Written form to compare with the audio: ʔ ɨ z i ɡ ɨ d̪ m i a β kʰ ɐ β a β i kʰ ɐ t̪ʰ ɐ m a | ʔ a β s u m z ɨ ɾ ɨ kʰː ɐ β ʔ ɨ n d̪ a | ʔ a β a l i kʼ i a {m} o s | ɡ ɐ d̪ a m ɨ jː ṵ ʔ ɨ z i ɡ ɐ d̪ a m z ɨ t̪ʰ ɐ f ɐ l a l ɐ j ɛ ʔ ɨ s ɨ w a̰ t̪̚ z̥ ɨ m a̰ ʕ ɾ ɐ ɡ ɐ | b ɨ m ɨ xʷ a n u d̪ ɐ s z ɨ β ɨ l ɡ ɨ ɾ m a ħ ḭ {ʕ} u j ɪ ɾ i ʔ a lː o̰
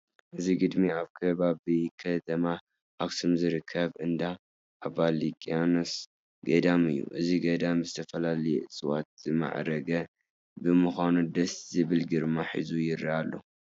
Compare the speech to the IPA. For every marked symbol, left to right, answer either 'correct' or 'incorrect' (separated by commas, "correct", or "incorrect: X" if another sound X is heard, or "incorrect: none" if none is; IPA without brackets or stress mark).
incorrect: n, incorrect: z